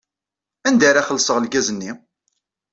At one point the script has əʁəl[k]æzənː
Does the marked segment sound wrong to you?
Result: yes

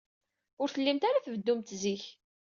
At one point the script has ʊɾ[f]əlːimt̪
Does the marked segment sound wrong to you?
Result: yes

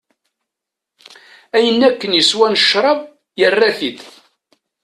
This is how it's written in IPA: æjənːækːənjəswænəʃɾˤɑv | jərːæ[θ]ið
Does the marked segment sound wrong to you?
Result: no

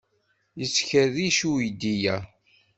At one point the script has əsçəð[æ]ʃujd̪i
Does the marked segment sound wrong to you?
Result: yes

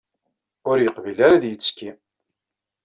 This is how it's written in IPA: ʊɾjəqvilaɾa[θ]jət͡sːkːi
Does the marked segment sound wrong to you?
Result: yes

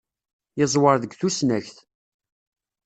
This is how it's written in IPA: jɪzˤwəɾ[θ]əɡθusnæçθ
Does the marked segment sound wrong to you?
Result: yes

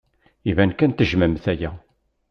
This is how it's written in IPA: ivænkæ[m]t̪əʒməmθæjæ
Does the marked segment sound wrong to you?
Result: yes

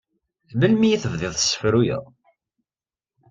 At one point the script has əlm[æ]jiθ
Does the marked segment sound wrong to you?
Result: yes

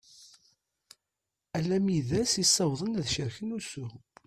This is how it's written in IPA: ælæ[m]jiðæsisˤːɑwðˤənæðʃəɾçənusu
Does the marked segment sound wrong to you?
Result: no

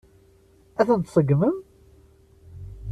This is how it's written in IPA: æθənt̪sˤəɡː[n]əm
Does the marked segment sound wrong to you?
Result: yes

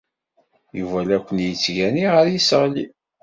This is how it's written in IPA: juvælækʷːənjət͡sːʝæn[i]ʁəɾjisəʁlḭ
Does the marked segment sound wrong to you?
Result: no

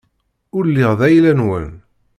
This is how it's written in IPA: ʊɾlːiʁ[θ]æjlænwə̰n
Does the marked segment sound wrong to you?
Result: yes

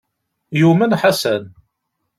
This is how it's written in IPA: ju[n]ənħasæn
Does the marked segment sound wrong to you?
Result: yes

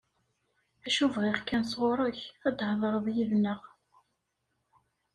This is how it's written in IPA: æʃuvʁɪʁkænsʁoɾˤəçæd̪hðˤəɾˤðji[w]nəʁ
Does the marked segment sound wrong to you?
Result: yes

